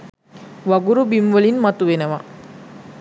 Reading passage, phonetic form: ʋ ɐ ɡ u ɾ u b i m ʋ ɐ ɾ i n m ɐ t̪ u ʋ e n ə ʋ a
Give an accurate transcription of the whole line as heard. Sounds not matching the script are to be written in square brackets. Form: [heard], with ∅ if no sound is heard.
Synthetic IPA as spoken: ʋ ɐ ɡ u ɾ u b i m ʋ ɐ [l] i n m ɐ t̪ u ʋ e n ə ʋ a